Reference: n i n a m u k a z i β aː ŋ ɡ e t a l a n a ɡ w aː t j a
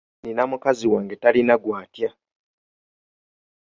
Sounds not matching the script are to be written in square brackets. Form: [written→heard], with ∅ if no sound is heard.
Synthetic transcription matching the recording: n i n a m u k a z i [β→w] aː ŋ ɡ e t a l [a→i] n a ɡ w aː t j a